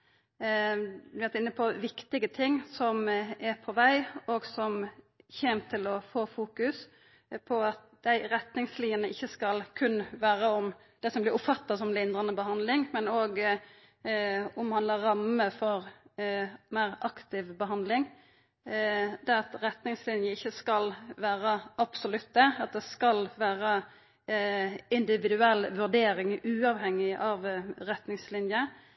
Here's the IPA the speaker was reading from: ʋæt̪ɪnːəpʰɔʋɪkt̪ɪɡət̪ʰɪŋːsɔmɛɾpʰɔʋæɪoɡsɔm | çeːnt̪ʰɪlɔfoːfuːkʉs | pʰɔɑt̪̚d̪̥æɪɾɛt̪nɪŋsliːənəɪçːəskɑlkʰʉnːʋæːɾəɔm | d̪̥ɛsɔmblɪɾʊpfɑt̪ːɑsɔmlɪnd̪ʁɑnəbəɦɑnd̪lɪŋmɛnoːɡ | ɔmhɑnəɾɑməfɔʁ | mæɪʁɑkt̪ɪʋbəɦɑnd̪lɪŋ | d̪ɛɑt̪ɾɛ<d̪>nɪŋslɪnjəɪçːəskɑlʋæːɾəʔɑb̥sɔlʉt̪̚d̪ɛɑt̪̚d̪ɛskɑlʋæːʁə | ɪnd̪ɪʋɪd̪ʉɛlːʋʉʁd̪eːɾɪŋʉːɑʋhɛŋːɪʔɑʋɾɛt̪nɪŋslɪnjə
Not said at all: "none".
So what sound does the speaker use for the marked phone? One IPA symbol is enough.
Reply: t̪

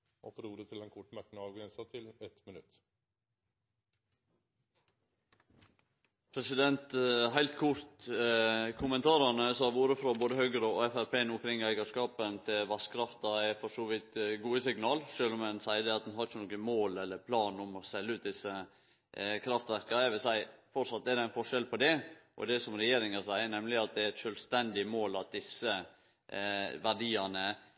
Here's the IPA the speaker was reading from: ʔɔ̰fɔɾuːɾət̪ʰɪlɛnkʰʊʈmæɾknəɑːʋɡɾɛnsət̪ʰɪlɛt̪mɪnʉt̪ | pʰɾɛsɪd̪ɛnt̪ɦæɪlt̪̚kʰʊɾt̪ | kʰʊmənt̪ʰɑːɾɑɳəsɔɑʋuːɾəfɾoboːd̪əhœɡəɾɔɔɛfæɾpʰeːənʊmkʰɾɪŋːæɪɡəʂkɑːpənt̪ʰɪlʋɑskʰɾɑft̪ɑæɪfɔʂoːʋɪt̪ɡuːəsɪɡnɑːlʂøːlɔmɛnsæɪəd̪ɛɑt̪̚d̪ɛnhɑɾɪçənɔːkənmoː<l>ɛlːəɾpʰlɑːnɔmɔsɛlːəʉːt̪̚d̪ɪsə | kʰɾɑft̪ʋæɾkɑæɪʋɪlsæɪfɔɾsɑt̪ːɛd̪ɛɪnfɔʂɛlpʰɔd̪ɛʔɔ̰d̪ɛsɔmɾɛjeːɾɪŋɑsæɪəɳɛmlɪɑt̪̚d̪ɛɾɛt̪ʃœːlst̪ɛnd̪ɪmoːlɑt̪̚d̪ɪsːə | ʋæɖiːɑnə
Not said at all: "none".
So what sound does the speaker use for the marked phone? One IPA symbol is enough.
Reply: l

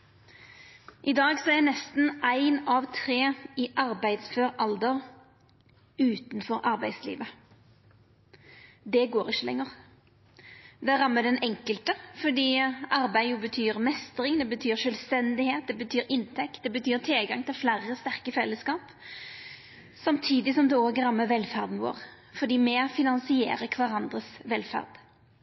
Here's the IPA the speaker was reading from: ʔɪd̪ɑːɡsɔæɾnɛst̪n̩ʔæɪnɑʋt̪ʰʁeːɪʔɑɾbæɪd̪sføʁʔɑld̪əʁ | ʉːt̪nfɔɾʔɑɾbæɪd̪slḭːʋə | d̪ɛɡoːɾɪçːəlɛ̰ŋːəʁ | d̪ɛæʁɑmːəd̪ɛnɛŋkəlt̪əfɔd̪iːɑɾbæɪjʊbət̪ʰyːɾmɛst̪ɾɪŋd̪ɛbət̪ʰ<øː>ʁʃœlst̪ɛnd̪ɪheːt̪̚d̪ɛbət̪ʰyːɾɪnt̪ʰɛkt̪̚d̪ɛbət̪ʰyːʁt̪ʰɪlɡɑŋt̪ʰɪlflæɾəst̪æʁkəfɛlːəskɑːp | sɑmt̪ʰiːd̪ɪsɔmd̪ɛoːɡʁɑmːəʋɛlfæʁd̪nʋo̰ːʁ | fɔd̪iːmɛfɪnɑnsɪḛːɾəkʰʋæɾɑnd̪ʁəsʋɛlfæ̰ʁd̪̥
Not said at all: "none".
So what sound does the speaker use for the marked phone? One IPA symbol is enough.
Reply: yː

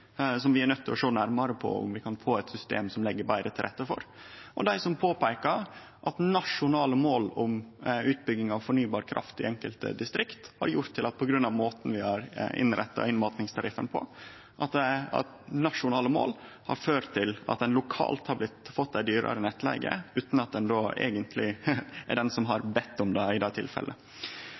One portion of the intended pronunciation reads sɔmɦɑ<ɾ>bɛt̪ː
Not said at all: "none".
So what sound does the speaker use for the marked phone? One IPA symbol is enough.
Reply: ɾ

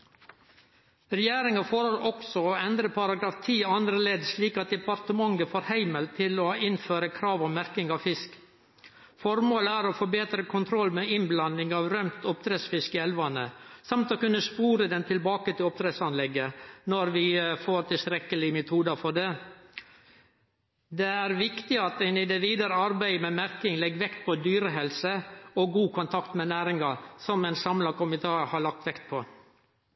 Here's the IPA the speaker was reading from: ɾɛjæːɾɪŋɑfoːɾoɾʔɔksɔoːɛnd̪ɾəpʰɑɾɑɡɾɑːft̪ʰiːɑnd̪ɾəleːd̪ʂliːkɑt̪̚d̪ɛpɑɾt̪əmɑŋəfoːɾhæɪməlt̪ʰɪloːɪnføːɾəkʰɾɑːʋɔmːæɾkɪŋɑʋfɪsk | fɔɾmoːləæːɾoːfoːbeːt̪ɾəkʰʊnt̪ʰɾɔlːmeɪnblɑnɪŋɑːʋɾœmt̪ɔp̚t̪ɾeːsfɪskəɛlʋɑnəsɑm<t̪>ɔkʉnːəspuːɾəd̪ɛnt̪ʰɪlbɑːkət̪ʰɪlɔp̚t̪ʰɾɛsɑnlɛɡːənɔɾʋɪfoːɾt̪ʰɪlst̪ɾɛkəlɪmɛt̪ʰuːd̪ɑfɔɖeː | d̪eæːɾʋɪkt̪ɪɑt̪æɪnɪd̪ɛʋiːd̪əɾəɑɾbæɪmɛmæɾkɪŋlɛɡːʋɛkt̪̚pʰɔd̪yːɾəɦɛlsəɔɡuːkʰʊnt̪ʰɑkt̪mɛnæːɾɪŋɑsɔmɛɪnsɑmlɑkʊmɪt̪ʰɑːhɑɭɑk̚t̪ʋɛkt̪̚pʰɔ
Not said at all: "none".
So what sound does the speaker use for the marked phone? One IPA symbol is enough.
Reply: t̪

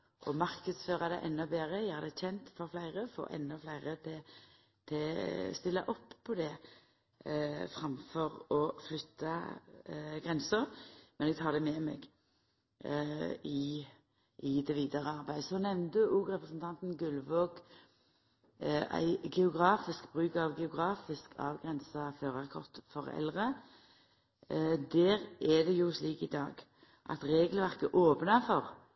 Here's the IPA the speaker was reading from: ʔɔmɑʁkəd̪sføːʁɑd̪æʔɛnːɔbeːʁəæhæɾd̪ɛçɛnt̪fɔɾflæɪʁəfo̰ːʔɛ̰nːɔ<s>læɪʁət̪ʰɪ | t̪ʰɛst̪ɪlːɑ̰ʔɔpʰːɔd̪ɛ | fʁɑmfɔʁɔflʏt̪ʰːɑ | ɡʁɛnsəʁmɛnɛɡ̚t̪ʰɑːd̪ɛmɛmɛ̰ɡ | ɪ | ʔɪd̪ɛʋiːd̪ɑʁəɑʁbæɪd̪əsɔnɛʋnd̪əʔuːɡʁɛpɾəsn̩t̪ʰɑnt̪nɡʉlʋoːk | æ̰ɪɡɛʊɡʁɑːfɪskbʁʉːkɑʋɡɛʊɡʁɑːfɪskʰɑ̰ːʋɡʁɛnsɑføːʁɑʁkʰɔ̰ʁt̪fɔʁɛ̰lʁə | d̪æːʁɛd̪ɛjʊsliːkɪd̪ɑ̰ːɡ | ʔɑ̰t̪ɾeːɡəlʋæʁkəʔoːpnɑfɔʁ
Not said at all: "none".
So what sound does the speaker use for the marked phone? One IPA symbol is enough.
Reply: f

